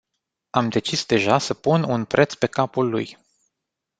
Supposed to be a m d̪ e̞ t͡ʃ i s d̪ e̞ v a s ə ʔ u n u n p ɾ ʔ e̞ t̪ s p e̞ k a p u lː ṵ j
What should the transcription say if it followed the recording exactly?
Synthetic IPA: a m d̪ e̞ t͡ʃ i s d̪ e̞ ʒ a s ə p u n u n p ɾ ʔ e̞ t̪ s p e̞ k a p u lː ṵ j